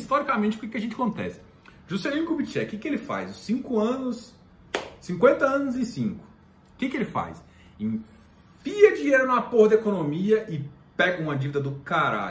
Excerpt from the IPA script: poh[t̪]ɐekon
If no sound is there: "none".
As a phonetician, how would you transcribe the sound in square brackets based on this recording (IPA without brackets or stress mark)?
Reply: d̪